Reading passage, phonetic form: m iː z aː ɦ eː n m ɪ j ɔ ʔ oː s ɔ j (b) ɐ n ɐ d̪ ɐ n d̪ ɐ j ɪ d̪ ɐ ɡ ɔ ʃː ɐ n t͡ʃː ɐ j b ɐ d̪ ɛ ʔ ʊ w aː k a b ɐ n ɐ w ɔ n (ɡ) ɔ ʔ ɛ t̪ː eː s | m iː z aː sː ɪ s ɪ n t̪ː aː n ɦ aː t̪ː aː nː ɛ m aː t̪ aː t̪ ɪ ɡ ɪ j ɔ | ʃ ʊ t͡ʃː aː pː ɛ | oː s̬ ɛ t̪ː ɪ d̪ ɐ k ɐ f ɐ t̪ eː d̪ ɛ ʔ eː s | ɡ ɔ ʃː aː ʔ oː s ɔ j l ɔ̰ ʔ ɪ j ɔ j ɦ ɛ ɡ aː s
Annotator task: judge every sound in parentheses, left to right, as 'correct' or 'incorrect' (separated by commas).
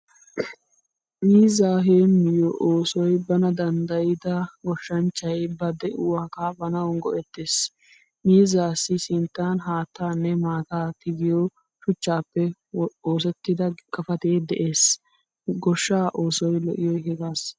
correct, correct